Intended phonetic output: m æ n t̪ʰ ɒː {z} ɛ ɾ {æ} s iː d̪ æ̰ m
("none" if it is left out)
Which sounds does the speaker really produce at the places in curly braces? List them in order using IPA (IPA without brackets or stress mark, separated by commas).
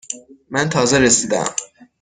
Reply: z, e